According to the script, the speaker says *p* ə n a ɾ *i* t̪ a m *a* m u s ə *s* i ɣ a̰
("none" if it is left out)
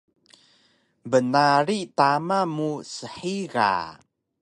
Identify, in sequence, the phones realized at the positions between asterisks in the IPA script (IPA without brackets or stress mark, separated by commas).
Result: b, i, a, ħ